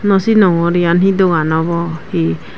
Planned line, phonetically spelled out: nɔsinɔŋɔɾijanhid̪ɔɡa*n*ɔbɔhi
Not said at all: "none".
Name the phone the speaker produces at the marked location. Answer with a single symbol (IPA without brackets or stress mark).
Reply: n